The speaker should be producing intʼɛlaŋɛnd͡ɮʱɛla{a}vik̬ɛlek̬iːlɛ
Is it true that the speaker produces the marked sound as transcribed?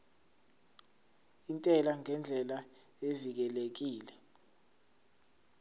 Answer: no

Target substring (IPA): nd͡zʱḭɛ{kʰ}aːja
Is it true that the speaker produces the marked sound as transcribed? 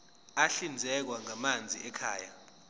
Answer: yes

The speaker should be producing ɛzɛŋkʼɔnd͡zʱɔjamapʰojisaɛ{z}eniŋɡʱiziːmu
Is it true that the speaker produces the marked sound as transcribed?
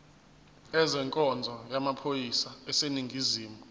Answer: no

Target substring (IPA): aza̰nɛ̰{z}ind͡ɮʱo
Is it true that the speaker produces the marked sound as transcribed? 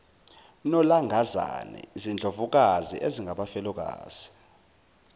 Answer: yes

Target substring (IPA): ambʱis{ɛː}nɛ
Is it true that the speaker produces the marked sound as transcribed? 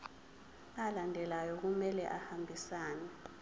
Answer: no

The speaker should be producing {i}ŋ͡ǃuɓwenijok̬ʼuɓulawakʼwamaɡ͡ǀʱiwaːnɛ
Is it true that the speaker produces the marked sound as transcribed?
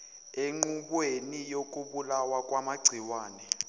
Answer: no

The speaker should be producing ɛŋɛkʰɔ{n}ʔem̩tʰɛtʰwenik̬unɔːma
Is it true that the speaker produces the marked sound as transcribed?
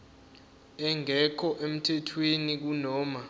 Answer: no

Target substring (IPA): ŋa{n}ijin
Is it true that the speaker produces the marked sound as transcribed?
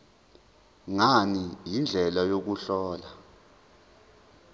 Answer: yes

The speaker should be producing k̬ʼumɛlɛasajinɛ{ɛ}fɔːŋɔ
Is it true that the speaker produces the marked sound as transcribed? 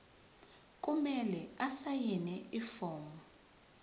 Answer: no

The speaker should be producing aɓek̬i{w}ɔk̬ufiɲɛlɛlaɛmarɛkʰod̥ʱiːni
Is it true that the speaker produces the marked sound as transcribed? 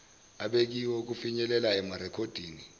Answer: yes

